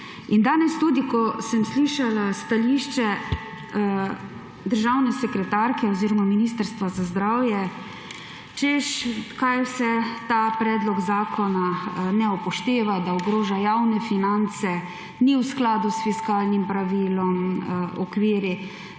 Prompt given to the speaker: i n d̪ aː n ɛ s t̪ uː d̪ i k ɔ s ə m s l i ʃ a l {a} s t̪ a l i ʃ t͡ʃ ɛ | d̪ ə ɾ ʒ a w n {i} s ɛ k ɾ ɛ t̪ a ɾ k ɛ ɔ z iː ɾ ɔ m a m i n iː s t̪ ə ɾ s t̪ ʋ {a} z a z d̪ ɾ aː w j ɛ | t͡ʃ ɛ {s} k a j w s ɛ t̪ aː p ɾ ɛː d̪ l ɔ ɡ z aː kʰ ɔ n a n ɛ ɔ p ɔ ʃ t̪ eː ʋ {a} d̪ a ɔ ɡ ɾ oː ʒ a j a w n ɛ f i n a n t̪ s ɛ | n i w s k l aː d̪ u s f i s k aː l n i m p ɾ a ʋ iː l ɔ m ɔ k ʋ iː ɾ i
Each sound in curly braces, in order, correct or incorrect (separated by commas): correct, incorrect, correct, incorrect, correct